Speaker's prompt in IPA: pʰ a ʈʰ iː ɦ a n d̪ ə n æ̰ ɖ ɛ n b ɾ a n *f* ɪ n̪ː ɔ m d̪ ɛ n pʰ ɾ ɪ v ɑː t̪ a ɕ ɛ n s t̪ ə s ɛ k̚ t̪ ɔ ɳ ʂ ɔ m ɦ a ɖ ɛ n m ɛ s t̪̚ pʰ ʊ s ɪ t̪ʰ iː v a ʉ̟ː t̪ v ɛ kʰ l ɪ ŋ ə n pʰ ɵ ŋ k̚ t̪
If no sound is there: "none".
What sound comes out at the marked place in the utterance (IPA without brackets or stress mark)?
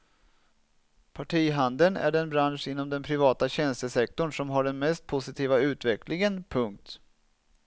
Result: ʂ